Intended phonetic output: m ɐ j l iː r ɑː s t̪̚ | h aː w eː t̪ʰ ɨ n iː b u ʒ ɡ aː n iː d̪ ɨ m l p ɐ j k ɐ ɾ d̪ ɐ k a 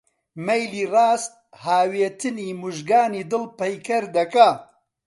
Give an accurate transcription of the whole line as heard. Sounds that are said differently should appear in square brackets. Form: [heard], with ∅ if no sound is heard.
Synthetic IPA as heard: m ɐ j l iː r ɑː s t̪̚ | h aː w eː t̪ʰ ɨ n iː [m] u ʒ ɡ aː n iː d̪ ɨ [∅] l p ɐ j k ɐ ɾ d̪ ɐ k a